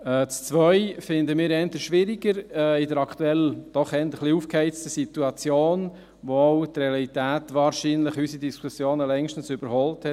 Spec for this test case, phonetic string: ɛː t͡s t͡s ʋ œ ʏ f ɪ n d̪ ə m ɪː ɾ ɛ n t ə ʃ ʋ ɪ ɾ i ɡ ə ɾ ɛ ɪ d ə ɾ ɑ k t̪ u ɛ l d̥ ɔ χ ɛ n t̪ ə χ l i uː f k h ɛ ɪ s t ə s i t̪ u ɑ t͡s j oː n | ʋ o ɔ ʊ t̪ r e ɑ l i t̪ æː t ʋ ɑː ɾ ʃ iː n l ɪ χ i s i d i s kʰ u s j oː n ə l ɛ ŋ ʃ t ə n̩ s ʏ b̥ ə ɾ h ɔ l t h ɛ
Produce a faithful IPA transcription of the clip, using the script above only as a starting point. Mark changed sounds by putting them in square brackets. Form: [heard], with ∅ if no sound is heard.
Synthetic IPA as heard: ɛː t͡s t͡s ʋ œ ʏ f ɪ n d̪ ə m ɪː ɾ ɛ n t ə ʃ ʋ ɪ ɾ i ɡ ə ɾ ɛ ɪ d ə ɾ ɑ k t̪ u ɛ l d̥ ɔ χ ɛ n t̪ ə χ l i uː f k h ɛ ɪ [t͡s] t ə s i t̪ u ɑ t͡s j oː n | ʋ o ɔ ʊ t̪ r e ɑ l i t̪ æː t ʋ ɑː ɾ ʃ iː n l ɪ χ [y] s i d i s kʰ u s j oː n ə l ɛ ŋ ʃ t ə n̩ s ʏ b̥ ə ɾ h ɔ l t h ɛ